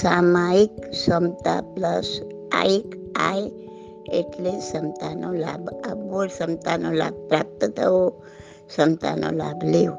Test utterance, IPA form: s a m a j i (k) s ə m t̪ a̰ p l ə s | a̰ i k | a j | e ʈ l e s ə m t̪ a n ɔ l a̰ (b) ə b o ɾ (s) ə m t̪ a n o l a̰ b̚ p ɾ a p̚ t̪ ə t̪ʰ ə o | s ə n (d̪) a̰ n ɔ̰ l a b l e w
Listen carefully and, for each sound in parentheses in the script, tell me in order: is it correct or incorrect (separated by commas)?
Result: correct, correct, correct, incorrect